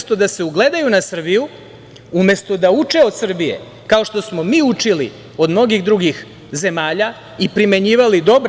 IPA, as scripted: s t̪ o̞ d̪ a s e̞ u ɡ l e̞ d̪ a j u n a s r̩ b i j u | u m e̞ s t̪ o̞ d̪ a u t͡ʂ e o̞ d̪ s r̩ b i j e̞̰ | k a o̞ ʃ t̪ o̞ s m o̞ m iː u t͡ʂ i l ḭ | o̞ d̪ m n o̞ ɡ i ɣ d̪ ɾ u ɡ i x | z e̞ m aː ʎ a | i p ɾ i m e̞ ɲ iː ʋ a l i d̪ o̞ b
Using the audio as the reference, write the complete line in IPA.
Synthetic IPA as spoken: s t̪ o̞ d̪ a s e̞ u ɡ l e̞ d̪ a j u n a s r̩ b i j u | u m e̞ s t̪ o̞ d̪ a u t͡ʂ e o̞ d̪ s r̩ b i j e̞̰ | k a o̞ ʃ t̪ o̞ s m o̞ m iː u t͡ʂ i l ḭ | o̞ d̪ m n o̞ ɡ i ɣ d̪ ɾ u ɡ i x | z e̞ m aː ʎ a | i p ɾ i m e̞ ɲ iː ʋ a l i d̪ o̞ b